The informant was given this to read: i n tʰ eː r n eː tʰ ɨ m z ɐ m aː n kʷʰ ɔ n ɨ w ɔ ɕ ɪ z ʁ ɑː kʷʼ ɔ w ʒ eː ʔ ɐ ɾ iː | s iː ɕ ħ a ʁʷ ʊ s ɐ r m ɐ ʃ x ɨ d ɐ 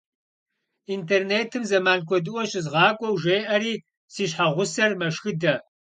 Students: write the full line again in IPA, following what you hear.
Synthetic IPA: i n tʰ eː r n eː tʰ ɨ m z ɐ m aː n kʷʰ ɔ d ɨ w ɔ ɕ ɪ z ʁ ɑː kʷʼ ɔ w ʒ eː ʔ ɐ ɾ iː | s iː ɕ ħ a ʁʷ ʊ s ɐ r m ɐ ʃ x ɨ d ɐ

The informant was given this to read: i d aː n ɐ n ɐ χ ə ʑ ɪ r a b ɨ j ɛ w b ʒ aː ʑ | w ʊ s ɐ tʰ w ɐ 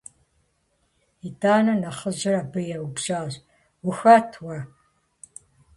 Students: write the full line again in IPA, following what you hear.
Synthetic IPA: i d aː n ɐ n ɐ χ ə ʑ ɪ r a b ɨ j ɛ w b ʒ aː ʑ | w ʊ x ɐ tʰ w ɐ

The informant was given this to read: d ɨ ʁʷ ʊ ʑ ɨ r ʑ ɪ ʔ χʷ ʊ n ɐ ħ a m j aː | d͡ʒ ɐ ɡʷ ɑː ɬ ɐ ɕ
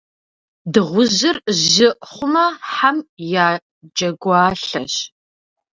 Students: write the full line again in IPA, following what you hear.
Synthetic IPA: d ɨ ʁʷ ʊ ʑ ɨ r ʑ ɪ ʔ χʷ ʊ m ɐ ħ a m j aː | d͡ʒ ɐ ɡʷ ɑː ɬ ɐ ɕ

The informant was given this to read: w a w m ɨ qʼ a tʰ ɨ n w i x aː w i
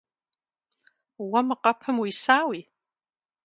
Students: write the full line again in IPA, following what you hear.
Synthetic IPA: w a m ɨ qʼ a pʰ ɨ m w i s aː w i

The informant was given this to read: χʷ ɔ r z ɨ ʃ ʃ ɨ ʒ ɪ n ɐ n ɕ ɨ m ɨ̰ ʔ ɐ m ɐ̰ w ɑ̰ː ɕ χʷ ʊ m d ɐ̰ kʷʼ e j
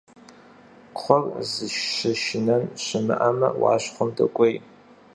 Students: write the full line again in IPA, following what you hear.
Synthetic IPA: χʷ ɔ r z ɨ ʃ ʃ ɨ ʃ ɪ n ɐ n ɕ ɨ m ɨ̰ ʔ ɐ m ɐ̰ w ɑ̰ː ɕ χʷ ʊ m d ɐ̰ kʷʼ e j

